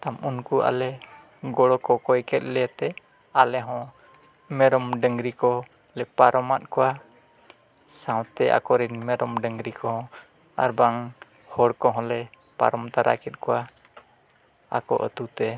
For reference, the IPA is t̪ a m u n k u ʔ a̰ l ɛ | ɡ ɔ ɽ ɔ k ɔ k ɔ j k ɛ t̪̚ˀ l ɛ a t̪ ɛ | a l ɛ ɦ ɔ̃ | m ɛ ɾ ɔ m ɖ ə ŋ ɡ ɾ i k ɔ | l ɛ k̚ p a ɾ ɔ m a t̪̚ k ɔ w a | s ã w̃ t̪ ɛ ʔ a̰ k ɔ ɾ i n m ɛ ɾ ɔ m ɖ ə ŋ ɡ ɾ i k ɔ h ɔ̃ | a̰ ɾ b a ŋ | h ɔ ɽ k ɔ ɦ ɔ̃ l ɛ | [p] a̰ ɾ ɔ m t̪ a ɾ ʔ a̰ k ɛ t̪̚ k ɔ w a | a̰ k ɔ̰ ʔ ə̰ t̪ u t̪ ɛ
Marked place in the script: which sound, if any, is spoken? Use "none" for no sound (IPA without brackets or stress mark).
p